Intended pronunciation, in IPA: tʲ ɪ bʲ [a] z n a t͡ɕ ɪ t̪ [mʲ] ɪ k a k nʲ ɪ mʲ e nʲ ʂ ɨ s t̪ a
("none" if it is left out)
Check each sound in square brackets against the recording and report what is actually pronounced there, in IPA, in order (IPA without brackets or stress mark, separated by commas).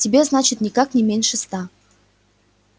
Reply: e, nʲ